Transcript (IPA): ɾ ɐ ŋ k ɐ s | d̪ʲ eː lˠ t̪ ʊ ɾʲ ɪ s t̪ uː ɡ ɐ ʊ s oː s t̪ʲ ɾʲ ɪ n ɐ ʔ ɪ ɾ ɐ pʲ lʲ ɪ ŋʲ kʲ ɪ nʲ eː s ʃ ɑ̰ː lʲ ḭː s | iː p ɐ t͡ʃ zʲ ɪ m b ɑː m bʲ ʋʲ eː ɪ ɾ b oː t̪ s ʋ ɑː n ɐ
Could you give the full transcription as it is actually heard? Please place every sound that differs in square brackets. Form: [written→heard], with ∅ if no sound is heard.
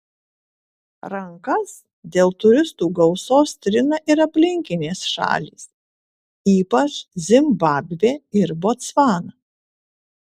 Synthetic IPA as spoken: ɾ ɐ ŋ k ɐ s | d̪ʲ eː lˠ t̪ ʊ ɾʲ ɪ s t̪ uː ɡ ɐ ʊ s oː s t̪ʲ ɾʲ ɪ n ɐ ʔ ɪ ɾ ɐ pʲ lʲ ɪ ŋʲ kʲ ɪ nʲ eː s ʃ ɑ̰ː lʲ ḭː s | iː p ɐ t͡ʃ zʲ ɪ m b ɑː [m→∅] bʲ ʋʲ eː ɪ ɾ b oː t̪ s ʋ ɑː n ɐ